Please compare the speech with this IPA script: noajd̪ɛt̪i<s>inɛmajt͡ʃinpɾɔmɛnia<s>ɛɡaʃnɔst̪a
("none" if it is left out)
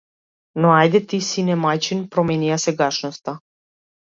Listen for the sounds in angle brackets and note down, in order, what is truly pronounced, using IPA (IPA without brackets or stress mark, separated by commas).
s, s